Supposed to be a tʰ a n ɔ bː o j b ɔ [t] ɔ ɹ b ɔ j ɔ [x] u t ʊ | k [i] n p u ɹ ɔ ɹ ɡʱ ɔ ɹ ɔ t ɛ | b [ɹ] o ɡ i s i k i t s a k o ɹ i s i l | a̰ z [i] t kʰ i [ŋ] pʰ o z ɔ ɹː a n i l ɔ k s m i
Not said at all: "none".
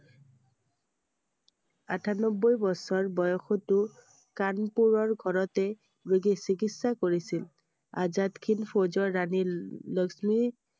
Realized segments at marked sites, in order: s, x, a, ɹ, a, n

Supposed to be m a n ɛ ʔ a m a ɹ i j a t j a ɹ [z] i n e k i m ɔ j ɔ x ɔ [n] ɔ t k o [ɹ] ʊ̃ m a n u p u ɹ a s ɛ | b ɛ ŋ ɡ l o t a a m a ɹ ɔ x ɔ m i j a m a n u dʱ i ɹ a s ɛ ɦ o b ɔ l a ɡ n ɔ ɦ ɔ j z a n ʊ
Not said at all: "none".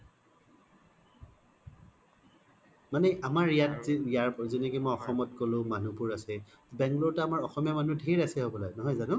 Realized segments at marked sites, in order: z, m, l

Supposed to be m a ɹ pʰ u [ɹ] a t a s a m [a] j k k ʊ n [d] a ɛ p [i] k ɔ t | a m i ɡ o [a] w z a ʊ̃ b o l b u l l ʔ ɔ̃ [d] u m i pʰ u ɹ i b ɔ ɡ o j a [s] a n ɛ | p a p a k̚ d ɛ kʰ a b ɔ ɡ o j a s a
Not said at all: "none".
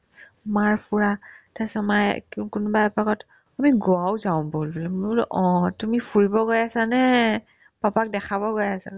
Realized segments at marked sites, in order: ɹ, a, b, a, a, t, s

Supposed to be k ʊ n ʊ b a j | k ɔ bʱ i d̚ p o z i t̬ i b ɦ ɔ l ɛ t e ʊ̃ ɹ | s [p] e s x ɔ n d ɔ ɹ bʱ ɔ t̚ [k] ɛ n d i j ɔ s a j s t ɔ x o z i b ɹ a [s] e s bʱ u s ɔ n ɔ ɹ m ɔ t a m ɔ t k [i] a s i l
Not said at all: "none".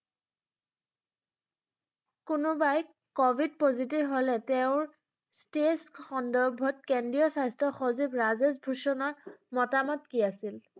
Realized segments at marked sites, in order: t, k, z, i

